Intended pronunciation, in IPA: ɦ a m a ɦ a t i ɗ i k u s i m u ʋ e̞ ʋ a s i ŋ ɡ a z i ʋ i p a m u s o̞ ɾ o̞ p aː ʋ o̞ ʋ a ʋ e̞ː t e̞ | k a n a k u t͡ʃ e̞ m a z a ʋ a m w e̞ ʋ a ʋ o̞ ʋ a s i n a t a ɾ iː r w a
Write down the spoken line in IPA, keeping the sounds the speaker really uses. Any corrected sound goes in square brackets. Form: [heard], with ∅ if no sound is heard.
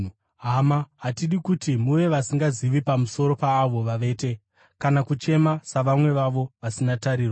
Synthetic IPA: ɦ a m a ɦ a t i ɗ i k u [t] i m u ʋ e̞ ʋ a s i ŋ ɡ a z i ʋ i p a m u s o̞ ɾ o̞ p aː ʋ o̞ ʋ a ʋ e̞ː t e̞ | k a n a k u t͡ʃ e̞ m a [s] a ʋ a m w e̞ ʋ a ʋ o̞ ʋ a s i n a t a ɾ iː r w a